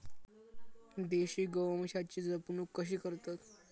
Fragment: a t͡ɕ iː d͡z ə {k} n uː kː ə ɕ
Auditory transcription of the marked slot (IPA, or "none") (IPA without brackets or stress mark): p